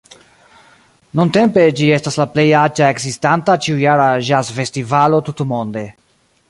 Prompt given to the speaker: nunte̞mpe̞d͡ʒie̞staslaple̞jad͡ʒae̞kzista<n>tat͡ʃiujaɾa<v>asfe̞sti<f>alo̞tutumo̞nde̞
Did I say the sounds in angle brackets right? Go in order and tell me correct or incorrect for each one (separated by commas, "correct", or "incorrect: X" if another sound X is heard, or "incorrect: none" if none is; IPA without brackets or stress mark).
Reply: correct, incorrect: ʒ, incorrect: v